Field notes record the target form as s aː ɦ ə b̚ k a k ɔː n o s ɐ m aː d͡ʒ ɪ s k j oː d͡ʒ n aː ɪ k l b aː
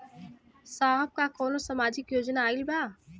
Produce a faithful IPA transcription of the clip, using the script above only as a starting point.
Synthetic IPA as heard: s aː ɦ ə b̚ k a k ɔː n o s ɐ m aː d͡ʒ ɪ k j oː d͡ʒ n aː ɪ l b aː